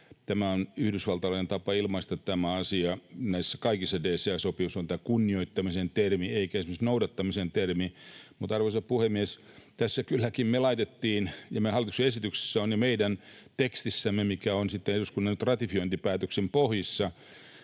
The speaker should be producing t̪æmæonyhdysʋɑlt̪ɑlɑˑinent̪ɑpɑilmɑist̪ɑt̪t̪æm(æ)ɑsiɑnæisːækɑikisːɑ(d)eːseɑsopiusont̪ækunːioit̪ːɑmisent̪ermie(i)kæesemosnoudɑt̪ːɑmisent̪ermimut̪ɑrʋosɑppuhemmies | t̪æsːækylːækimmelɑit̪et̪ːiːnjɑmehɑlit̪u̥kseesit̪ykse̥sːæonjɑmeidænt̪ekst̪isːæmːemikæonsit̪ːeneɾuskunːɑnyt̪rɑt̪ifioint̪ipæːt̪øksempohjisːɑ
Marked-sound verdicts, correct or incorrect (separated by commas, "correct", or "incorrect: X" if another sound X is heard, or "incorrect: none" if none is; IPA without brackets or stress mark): correct, correct, correct